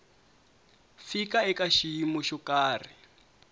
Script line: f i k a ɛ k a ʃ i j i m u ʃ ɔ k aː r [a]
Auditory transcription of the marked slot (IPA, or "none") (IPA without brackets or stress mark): i